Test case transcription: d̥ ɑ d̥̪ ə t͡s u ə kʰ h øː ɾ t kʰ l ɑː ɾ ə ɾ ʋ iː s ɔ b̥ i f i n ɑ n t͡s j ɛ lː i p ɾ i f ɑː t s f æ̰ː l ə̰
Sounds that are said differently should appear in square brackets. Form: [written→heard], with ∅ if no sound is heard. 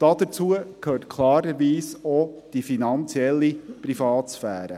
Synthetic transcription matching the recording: d̥ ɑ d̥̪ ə t͡s u ə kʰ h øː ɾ t kʰ l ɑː ɾ ə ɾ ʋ iː s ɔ [b̥→d̥] i f i n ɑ n t͡s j ɛ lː i p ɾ i f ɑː t s f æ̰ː [l→ɾ] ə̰